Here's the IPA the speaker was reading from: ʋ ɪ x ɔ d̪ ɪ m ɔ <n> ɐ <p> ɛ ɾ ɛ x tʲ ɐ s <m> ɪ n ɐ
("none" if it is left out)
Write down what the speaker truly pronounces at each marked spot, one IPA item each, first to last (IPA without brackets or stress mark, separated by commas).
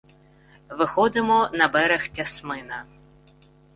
n, b, m